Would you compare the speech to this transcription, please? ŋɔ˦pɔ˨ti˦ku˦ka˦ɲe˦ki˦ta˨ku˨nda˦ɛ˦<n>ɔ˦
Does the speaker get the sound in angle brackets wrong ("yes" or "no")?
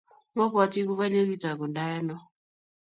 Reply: no